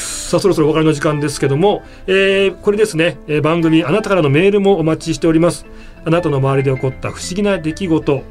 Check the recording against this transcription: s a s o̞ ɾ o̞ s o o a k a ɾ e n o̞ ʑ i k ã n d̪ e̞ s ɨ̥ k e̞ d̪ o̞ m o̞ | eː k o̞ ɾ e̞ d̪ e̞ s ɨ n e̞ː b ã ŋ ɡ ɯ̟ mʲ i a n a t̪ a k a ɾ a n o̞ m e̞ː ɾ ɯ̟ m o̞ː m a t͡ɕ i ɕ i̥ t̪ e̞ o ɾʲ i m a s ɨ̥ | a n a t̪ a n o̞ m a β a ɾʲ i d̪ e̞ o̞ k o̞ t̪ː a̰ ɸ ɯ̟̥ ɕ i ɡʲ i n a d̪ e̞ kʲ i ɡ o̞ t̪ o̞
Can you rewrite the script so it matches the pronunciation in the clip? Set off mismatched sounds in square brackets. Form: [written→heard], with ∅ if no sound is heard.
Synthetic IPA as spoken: s a s o̞ ɾ o̞ s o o a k a ɾ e n o̞ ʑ i k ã n d̪ e̞ s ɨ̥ k e̞ d̪ o̞ m o̞ | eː k o̞ ɾ e̞ d̪ e̞ s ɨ n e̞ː b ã ŋ ɡ ɯ̟ mʲ i a n a t̪ a k a ɾ a n o̞ m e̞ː ɾ ɯ̟ m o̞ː m a t͡ɕ i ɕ i̥ t̪ e̞ o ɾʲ i m a s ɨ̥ | a n a t̪ a n o̞ m a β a ɾʲ i d̪ e̞ o̞ k o̞ t̪ː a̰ ɸ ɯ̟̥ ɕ i ɡʲ i n a d̪ e̞ kʲ i ɡ o̞ t̪ o̞